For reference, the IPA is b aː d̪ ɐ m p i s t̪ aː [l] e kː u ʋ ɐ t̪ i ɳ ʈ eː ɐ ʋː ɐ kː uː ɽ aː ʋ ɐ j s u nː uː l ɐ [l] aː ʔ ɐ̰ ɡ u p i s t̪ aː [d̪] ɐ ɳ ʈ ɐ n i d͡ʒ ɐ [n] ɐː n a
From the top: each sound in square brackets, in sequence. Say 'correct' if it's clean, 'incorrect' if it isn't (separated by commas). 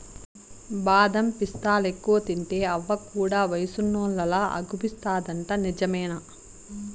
correct, correct, correct, incorrect